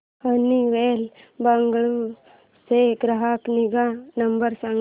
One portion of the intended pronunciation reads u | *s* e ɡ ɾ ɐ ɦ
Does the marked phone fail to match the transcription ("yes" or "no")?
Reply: no